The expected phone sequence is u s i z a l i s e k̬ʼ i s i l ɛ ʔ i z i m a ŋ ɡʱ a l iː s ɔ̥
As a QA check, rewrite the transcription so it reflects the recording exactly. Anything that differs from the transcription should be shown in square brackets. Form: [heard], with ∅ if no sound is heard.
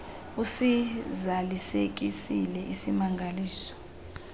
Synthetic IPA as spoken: u s i z a l i s e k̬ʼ i s i l ɛ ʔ i [s] i m a ŋ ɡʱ a l iː s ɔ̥